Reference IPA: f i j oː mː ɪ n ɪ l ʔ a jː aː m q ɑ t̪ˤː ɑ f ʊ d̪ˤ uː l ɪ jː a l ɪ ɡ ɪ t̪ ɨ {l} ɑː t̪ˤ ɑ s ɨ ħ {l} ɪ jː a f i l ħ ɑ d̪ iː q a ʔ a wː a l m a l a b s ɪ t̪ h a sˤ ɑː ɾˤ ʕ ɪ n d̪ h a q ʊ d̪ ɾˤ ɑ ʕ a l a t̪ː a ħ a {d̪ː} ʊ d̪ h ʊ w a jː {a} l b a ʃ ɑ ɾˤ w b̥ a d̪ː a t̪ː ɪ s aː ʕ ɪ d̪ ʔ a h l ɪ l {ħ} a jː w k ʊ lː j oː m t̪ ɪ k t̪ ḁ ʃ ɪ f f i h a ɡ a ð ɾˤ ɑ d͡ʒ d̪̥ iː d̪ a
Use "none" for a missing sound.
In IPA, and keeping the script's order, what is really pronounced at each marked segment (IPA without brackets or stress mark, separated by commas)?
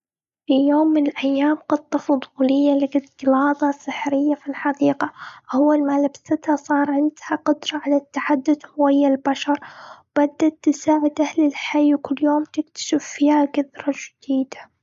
l, ɾ, d̪ː, a, ħ